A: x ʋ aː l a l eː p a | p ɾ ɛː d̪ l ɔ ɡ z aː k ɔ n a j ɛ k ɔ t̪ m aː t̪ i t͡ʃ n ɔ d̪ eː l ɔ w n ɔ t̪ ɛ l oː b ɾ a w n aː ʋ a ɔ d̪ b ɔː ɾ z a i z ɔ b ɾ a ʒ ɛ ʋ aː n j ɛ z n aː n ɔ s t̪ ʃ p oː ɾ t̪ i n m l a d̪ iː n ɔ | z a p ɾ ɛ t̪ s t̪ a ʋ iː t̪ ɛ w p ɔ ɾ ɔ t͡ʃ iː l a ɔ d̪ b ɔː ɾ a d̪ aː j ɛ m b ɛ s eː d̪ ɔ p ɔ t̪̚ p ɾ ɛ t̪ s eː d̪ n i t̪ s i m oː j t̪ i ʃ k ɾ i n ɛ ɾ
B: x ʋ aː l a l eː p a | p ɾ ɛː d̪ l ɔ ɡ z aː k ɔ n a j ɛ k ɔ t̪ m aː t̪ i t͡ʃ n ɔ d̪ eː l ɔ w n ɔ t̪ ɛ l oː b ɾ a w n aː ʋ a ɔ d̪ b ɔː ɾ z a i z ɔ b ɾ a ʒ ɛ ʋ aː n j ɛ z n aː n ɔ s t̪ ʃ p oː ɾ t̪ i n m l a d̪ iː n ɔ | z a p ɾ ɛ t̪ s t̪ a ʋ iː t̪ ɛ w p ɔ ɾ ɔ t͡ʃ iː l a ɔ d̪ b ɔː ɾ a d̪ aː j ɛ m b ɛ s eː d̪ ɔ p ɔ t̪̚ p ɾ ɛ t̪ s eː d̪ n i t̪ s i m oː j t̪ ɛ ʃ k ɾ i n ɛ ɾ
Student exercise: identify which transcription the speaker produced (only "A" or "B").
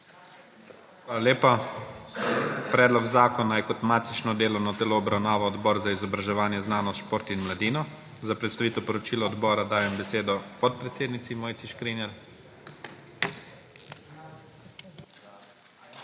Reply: A